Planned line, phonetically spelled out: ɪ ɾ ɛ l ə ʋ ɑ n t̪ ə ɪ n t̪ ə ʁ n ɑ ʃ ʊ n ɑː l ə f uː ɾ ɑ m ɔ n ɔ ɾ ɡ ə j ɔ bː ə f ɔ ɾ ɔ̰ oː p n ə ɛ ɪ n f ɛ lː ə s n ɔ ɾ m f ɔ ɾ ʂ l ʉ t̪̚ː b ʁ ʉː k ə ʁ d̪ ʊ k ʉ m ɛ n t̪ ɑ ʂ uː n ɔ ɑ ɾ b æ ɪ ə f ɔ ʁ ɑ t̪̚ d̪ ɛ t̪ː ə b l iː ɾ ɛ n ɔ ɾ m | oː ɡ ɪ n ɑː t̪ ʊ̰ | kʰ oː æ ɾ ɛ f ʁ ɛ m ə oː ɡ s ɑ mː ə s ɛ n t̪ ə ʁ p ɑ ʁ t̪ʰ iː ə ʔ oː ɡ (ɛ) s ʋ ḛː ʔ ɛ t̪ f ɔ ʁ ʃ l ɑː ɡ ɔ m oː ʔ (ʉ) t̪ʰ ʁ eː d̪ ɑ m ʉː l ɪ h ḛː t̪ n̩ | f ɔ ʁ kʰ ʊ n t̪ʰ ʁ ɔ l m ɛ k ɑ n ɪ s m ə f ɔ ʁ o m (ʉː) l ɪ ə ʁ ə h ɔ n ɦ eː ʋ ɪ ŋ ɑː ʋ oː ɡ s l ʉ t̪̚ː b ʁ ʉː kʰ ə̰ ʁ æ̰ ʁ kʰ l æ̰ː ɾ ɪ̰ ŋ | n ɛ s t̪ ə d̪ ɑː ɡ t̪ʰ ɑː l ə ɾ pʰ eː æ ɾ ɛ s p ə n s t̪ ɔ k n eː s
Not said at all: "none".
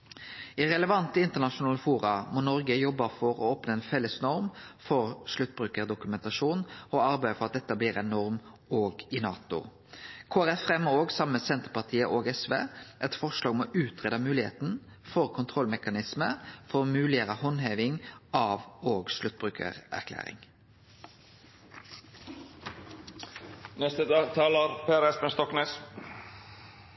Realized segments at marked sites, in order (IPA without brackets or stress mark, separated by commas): ɛ, ʉː, ʉː